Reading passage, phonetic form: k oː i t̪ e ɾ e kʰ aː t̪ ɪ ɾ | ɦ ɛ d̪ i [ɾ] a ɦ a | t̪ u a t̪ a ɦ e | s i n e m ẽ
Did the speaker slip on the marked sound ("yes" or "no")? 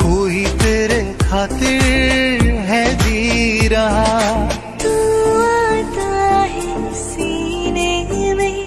no